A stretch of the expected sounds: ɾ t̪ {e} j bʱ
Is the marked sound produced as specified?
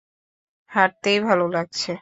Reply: yes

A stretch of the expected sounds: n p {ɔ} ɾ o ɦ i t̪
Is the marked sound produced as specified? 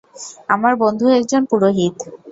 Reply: no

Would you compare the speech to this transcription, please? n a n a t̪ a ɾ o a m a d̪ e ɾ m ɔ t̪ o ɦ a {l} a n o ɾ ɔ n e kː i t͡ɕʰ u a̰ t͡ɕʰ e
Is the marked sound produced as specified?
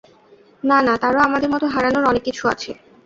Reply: no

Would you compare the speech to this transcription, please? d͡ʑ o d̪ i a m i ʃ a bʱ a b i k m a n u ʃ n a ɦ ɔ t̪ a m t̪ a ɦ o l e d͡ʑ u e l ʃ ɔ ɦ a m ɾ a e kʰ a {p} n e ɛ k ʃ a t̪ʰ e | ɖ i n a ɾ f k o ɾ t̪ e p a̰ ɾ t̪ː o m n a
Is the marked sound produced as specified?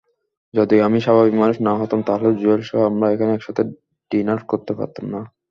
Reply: no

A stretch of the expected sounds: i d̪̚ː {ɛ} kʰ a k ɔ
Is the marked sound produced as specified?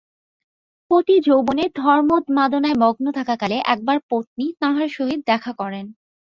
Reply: yes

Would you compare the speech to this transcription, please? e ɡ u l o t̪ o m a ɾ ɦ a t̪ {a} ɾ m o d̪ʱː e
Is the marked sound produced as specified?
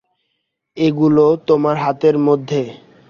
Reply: no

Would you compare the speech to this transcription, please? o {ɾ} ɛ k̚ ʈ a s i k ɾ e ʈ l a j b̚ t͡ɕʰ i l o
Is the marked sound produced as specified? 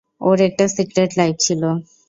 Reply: yes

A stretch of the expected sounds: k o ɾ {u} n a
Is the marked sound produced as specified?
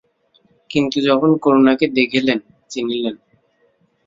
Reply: no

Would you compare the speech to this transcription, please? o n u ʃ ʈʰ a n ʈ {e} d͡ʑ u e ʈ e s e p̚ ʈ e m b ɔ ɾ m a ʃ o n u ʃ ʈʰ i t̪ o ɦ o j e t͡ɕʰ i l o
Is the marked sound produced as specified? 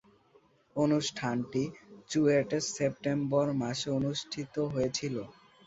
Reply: no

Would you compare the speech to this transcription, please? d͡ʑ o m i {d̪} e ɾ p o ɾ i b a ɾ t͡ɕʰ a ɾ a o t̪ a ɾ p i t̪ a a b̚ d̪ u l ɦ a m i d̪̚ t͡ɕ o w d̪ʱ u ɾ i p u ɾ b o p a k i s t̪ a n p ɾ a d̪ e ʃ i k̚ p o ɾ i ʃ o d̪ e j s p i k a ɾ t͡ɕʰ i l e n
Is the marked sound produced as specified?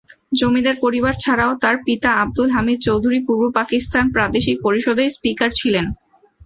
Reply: yes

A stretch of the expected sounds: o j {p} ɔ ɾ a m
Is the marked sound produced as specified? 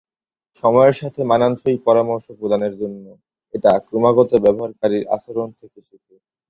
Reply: yes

